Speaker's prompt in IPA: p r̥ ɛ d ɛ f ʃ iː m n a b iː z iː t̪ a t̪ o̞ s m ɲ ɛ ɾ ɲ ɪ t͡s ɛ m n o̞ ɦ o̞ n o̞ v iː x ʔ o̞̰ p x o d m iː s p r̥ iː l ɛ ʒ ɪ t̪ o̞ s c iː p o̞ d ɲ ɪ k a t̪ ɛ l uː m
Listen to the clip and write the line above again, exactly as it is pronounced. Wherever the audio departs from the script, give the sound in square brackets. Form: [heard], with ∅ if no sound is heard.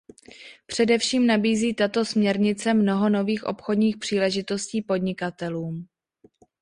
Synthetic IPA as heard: p r̥ ɛ d ɛ f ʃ iː m n a b iː z iː t̪ a t̪ o̞ s m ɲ ɛ ɾ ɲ ɪ t͡s ɛ m n o̞ ɦ o̞ n o̞ v iː x ʔ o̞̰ p x o d [ɲ] iː [x] p r̥ iː l ɛ ʒ ɪ t̪ o̞ s c iː p o̞ d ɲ ɪ k a t̪ ɛ l uː m